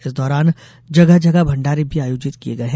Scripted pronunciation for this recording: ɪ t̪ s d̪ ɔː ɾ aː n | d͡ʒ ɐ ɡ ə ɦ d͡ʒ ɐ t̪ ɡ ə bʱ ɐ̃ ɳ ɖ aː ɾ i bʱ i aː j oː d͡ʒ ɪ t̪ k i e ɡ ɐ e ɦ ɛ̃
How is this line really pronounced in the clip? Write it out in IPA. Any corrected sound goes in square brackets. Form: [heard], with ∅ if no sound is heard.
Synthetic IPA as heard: ɪ [∅] s d̪ ɔː ɾ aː n | d͡ʒ ɐ ɡ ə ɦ d͡ʒ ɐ [∅] ɡ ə bʱ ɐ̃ ɳ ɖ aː ɾ i bʱ i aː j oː d͡ʒ ɪ t̪ k i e ɡ ɐ e ɦ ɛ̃